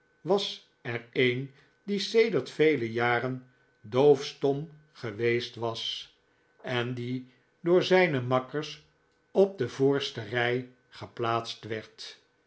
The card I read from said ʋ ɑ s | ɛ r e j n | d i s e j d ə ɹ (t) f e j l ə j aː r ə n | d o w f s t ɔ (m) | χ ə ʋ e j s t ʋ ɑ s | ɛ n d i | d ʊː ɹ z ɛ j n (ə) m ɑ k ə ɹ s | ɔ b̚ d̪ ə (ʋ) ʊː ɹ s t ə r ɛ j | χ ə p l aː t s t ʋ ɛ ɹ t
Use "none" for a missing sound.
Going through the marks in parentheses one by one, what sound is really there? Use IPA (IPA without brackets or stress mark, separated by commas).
t, m, ə, v